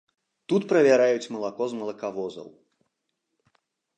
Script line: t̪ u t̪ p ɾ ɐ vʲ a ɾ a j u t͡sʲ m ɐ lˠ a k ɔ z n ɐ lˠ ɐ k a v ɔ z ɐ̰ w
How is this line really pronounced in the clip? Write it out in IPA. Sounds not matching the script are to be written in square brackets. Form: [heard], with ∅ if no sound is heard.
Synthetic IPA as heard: t̪ u t̪ p ɾ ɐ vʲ a ɾ a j u t͡sʲ m ɐ lˠ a k ɔ z [m] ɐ lˠ ɐ k a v ɔ z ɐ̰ w